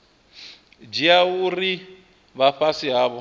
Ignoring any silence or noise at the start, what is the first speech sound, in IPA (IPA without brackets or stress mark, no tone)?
d͡ʒ